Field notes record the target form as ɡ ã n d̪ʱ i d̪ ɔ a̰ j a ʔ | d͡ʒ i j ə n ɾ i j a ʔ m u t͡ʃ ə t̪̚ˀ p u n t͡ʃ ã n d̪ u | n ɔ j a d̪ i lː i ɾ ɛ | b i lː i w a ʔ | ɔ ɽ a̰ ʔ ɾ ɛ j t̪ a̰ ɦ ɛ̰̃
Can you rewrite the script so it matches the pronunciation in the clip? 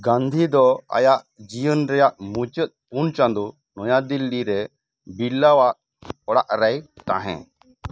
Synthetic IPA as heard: ɡ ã n d̪ʱ i d̪ ɔ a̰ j a ʔ | d͡ʒ i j ə n ɾ ɛ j a ʔ m u t͡ʃ ə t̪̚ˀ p u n t͡ʃ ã n d̪ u | n ɔ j a d̪ i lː i ɾ ɛ | b i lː a w a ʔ | ɔ ɽ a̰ ʔ ɾ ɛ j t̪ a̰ ɦ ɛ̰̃